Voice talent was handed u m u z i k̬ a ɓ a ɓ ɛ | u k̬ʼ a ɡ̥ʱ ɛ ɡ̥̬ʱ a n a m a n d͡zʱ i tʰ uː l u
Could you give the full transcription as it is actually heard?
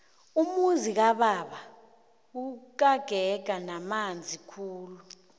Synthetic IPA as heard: u m u z i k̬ a ɓ a ɓ a | u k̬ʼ a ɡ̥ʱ ɛ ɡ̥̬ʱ a n a m a n d͡zʱ i kʰ uː l u